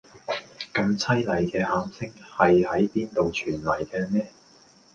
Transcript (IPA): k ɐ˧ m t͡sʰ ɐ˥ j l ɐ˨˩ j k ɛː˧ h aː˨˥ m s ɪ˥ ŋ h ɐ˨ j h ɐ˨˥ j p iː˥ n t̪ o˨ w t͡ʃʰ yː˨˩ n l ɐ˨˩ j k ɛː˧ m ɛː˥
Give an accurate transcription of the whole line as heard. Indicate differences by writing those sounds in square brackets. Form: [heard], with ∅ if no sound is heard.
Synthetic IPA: k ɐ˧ m t͡sʰ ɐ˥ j l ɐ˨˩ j k ɛː˧ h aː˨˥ m s ɪ˥ ŋ h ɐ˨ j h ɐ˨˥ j p iː˥ n t̪ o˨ w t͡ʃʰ yː˨˩ n l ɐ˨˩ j k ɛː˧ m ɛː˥

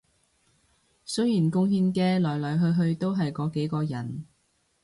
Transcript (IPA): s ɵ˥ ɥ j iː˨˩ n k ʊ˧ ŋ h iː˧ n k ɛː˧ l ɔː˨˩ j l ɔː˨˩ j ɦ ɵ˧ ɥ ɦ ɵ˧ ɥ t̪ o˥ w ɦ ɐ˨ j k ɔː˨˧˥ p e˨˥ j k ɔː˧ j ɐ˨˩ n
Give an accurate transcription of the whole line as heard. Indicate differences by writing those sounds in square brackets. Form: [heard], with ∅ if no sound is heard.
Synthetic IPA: s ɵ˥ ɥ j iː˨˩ n k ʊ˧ ŋ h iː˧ n k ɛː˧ l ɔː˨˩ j l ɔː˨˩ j ɦ ɵ˧ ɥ ɦ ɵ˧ ɥ t̪ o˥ w ɦ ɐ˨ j k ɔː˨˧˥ [k] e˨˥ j k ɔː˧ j ɐ˨˩ n

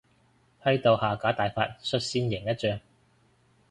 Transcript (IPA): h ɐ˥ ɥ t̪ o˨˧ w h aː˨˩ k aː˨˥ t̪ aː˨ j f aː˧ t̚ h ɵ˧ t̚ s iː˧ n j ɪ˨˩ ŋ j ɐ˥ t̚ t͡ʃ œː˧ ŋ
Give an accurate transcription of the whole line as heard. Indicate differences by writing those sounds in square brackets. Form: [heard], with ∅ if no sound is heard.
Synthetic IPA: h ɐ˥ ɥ t̪ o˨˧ w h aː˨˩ k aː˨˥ t̪ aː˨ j f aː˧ t̚ [s] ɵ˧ t̚ s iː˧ n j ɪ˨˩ ŋ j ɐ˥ t̚ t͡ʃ œː˧ ŋ

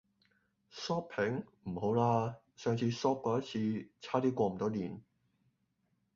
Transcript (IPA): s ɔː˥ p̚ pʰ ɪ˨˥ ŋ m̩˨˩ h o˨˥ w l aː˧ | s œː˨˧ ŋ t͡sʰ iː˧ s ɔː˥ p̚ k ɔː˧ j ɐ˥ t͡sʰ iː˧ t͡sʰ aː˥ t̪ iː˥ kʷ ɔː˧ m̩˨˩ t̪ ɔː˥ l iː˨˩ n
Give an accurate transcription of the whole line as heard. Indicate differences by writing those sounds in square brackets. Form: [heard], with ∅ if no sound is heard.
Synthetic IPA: s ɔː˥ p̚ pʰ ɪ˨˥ ŋ m̩˨˩ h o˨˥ w l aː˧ | s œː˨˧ ŋ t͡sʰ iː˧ s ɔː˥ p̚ k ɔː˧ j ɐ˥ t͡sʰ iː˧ t͡sʰ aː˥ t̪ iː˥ kʷ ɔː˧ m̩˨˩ t̪ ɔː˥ l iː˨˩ n

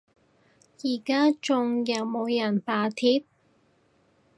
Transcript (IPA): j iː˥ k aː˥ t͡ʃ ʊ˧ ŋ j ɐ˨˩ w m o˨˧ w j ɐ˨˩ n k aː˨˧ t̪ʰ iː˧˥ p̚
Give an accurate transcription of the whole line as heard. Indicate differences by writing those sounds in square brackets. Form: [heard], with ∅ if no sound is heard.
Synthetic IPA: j [iː˨˩] k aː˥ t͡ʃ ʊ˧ ŋ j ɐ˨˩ w m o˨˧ w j ɐ˨˩ n [p] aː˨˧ t̪ʰ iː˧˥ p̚

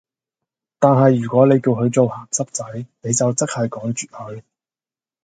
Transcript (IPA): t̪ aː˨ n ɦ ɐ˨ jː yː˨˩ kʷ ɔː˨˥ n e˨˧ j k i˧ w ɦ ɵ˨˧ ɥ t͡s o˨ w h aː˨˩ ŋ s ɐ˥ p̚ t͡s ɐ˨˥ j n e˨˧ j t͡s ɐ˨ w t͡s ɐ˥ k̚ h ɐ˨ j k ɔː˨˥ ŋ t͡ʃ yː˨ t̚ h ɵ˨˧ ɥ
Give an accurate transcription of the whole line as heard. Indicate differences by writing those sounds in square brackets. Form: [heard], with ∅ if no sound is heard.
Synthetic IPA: t̪ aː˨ n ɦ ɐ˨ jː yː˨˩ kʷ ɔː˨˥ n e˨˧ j k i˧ w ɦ ɵ˨˧ ɥ t͡s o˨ w h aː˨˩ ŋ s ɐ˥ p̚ t͡s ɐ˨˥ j n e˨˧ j t͡s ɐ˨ w t͡s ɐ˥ k̚ h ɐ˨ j k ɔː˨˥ ŋ t͡ʃ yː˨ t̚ h ɵ˨˧ ɥ

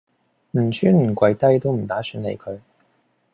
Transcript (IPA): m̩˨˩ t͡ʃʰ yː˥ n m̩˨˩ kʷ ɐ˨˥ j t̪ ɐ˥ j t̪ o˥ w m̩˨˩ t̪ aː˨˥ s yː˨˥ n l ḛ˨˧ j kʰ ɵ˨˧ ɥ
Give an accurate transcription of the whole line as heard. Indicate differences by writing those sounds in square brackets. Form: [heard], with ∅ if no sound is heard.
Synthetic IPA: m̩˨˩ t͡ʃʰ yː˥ n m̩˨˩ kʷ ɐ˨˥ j t̪ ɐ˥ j t̪ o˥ w m̩˨˩ t̪ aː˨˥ s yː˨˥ n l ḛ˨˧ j kʰ ɵ˨˧ ɥ

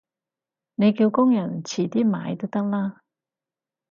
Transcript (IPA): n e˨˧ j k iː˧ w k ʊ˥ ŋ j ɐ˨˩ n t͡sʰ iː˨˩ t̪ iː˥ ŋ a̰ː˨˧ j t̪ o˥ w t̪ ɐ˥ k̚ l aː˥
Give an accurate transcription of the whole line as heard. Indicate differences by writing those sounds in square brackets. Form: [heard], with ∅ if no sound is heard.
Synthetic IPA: n e˨˧ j k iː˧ w k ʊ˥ ŋ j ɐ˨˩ n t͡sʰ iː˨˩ t̪ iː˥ [m] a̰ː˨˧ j t̪ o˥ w t̪ ɐ˥ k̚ l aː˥

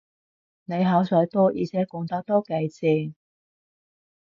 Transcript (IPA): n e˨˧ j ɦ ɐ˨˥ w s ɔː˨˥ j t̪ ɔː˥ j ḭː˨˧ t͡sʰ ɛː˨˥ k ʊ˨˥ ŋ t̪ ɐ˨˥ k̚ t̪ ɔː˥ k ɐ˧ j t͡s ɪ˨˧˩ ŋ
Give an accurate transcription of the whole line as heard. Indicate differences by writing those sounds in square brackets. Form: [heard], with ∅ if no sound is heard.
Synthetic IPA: n e˨˧ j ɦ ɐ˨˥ w s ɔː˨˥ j t̪ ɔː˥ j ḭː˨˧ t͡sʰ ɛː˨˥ k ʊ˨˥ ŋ t̪ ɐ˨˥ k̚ t̪ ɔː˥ k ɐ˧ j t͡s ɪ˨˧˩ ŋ

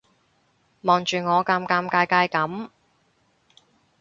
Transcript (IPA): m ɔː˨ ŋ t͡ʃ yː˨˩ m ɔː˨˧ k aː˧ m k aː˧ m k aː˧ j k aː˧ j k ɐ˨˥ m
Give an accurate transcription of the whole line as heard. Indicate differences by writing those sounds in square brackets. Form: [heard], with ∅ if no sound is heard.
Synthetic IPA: m ɔː˨ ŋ t͡ʃ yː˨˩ [ŋ] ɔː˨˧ k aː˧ m k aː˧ m k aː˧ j k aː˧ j k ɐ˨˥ m

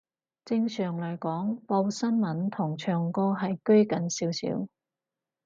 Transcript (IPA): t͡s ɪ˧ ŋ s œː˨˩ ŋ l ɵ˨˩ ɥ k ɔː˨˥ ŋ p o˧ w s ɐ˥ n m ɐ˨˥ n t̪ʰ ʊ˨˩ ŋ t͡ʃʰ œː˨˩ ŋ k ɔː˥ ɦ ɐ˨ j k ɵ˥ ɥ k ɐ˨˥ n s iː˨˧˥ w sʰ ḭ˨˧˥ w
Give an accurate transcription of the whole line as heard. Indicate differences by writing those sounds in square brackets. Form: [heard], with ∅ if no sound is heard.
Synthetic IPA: t͡s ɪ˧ ŋ s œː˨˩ ŋ l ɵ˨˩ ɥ k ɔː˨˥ ŋ p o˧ w s ɐ˥ n m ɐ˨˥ n t̪ʰ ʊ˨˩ ŋ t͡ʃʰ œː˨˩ ŋ k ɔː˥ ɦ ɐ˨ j k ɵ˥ ɥ k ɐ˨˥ n s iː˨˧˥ w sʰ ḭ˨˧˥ w

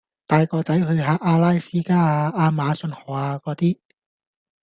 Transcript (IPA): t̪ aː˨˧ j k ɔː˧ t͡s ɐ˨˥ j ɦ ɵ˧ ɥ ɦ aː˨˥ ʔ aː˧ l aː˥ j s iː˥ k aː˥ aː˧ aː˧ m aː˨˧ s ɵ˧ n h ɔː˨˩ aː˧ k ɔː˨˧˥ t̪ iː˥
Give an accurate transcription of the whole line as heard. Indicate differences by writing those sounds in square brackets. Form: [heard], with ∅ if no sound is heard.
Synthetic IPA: t̪ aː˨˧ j k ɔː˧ t͡s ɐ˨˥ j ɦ ɵ˧ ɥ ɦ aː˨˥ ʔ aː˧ l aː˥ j s iː˥ k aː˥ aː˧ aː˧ m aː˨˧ s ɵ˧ n h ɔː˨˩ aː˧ k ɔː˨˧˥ t̪ iː˥

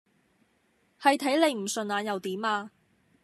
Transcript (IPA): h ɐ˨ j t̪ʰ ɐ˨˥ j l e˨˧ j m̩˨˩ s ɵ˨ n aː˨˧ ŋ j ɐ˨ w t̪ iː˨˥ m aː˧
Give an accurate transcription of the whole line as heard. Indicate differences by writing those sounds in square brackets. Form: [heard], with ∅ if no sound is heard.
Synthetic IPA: h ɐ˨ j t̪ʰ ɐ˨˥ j l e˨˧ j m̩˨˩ s ɵ˨ n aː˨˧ [n] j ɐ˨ w t̪ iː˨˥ m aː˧

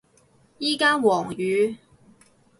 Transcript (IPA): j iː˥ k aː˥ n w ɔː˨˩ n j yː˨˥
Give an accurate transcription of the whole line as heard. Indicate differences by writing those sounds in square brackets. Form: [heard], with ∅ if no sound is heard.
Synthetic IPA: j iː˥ k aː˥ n w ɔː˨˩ [ŋ] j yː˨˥

